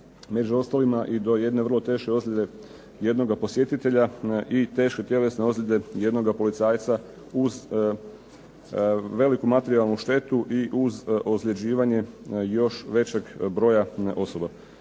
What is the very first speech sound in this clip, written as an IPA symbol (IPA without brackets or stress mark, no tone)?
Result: m